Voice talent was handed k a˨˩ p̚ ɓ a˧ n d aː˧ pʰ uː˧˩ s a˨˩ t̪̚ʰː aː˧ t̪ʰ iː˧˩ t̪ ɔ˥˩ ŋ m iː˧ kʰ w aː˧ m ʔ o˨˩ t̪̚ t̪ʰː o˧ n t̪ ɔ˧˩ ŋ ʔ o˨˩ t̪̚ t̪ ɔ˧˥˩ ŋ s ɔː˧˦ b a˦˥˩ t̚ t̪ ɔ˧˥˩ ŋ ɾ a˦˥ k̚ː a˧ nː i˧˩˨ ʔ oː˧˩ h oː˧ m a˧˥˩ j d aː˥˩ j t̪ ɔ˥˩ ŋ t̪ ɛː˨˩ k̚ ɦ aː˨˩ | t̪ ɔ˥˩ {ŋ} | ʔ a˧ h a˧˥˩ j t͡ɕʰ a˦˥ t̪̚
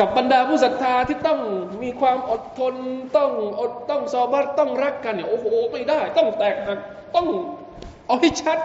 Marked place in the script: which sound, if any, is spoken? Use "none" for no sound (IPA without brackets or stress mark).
ŋ